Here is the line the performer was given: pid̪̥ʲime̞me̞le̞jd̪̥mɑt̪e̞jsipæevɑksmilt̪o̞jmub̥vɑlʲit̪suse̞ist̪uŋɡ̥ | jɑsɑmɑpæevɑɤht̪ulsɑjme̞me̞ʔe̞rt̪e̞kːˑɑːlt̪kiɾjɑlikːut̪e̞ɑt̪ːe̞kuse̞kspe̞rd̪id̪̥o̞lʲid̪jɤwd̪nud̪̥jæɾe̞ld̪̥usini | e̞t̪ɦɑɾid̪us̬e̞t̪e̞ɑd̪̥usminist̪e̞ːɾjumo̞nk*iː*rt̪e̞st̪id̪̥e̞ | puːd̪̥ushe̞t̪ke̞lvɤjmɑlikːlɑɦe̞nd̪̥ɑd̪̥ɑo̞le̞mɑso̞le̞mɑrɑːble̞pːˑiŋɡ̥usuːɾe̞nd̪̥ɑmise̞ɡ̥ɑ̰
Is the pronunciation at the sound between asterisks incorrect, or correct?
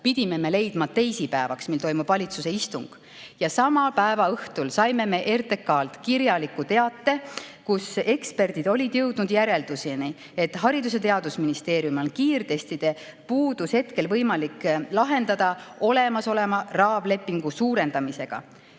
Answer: correct